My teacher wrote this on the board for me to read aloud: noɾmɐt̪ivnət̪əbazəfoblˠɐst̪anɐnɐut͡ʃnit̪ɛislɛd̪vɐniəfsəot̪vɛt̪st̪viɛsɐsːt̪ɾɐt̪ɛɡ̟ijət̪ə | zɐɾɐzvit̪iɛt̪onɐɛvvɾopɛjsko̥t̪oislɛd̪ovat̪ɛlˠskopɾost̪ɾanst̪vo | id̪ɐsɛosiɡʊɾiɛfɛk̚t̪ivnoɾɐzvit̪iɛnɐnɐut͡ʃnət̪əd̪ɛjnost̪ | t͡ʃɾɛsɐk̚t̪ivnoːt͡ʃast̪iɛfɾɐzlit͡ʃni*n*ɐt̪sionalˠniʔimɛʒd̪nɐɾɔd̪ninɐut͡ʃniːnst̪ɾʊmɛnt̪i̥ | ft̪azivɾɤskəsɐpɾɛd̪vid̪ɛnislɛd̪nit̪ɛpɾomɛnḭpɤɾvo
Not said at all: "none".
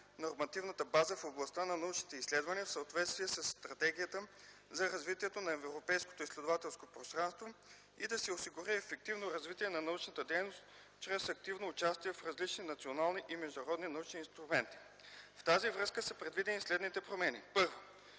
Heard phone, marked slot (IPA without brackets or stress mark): n